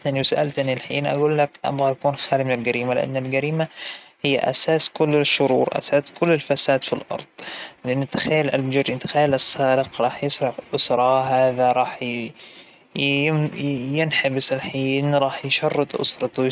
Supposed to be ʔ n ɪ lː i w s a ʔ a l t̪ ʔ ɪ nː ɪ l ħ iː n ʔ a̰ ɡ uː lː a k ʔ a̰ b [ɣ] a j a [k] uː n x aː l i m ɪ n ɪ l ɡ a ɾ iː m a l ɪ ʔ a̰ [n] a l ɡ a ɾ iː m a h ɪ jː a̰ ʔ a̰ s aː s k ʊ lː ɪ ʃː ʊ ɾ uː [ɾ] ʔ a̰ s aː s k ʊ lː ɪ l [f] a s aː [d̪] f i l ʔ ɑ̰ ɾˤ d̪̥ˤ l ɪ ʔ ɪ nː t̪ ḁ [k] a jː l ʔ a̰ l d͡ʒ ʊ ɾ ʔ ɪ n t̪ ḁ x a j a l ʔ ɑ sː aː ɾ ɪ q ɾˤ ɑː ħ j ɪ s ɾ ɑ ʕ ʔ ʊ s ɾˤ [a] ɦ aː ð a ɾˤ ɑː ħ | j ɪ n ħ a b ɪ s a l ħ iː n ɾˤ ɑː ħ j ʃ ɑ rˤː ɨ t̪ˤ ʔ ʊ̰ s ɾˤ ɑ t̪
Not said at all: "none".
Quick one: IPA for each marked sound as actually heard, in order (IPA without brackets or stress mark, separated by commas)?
ɣ, k, nː, ɾ, f, d̪, x, ɑ